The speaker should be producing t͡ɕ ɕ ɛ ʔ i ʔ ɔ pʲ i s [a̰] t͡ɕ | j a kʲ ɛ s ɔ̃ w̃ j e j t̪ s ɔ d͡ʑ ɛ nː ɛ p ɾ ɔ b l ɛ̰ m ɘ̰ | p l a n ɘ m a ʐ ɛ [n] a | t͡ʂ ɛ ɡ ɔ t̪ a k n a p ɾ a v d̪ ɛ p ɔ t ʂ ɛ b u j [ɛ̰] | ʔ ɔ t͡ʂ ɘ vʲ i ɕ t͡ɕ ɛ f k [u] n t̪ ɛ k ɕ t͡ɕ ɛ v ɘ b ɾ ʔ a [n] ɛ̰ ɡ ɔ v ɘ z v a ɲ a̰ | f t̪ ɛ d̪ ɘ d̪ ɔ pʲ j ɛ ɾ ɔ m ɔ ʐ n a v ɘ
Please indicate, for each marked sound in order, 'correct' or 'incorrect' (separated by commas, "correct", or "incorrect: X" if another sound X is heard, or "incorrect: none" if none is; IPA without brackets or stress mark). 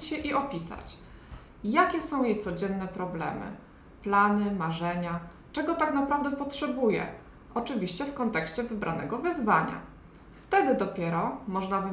correct, incorrect: ɲ, correct, incorrect: ɔ, correct